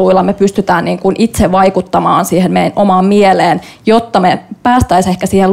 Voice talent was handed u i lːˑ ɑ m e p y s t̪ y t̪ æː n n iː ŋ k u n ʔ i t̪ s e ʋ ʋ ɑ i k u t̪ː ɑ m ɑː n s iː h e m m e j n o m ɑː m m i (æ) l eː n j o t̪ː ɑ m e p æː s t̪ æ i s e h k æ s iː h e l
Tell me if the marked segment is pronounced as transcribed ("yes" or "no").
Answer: no